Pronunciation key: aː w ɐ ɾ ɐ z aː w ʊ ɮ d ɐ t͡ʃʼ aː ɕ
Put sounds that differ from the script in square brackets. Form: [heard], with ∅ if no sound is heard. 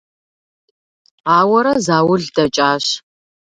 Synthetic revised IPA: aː w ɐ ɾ ɐ z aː w ʊ ɮ d ɐ t͡ʃʼ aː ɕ